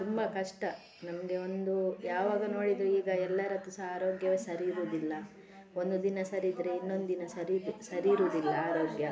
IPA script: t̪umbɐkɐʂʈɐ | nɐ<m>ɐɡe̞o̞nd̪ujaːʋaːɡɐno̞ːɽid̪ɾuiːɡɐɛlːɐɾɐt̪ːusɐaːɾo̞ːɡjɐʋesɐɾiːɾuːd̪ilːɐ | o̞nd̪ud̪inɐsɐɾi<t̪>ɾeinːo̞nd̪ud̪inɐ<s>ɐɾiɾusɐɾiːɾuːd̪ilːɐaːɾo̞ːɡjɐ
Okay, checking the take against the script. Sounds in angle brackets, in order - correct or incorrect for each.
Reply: correct, incorrect, correct

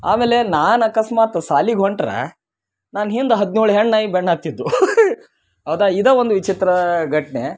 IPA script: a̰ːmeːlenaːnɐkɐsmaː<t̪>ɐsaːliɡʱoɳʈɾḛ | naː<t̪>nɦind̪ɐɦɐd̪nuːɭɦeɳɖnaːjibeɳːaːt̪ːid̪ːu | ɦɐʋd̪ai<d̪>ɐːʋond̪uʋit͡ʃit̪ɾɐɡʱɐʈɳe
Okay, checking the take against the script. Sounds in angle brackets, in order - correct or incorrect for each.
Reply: correct, incorrect, correct

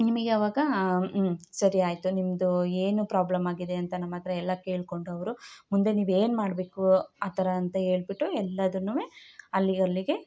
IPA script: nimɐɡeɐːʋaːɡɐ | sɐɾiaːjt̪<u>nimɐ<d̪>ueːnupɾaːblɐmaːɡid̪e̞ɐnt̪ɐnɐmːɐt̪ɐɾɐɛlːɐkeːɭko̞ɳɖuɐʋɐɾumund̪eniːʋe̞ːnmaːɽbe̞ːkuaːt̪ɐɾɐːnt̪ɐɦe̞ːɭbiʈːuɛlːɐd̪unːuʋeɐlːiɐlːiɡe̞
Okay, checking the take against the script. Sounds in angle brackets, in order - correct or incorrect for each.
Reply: correct, correct

